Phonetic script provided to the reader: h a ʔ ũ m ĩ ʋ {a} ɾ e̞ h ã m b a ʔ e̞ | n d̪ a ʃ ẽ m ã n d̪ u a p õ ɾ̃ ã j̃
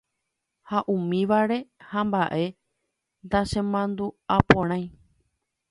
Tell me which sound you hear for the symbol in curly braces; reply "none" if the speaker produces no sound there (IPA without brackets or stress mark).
a